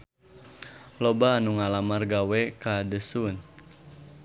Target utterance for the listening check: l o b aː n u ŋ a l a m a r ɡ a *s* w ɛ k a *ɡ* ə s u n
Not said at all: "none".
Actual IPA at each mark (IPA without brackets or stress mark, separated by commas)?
none, d